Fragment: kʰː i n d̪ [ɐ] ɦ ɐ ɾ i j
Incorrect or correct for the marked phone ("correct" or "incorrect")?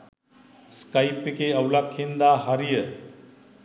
incorrect